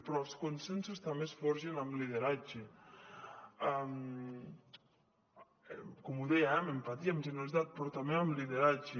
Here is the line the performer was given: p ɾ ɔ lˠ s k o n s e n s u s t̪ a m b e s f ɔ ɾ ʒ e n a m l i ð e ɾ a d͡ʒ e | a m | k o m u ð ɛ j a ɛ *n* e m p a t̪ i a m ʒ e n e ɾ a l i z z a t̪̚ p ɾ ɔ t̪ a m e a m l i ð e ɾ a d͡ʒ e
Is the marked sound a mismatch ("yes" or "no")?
yes